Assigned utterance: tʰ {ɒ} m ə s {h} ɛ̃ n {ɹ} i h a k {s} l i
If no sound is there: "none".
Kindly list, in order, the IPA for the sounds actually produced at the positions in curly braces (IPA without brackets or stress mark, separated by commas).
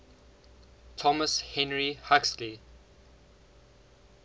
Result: ɔ, h, ɹ, s